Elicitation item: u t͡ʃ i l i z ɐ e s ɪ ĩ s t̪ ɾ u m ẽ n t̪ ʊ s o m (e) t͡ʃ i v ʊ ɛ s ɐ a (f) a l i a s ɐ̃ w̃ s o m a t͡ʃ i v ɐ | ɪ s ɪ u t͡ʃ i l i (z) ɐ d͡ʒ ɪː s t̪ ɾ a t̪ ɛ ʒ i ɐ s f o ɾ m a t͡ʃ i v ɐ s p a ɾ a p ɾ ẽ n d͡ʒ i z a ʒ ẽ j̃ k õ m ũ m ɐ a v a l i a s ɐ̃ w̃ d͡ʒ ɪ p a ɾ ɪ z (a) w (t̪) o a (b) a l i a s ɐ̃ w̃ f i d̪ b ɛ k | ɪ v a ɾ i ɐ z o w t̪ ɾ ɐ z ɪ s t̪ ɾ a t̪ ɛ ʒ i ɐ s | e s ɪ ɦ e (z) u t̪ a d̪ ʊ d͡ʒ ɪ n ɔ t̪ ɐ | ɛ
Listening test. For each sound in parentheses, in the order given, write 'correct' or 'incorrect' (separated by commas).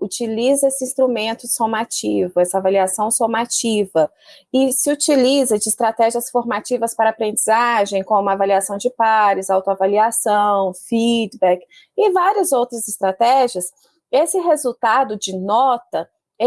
incorrect, incorrect, correct, correct, correct, incorrect, correct